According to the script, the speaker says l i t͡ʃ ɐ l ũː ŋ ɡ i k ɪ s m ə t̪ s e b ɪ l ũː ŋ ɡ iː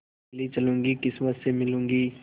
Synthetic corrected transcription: l i t͡ʃ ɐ l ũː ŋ ɡ i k ɪ s m ə t̪ s e m ɪ l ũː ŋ ɡ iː